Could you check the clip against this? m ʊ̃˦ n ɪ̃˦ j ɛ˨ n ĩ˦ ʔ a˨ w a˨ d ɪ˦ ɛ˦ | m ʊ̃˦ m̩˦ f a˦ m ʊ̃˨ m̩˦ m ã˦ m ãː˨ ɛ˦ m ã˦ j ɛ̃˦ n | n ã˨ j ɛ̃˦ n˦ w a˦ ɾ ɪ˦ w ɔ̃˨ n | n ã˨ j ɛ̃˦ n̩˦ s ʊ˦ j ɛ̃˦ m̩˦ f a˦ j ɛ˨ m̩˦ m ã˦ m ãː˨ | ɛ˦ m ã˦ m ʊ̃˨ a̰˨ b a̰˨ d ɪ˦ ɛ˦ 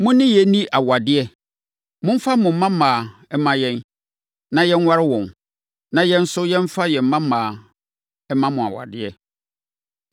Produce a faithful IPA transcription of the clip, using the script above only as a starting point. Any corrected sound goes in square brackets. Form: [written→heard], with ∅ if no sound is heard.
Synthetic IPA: m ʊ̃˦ n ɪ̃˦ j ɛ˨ n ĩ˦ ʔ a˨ w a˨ d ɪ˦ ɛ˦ | m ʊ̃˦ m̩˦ f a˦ m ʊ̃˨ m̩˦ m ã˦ m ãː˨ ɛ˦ m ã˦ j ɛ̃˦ n | n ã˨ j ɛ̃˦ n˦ w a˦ ɾ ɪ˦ w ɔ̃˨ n | n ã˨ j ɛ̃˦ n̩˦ s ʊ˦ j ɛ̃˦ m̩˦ f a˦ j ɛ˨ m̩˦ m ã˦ m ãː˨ | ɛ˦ m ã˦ m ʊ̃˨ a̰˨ [b→w] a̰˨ d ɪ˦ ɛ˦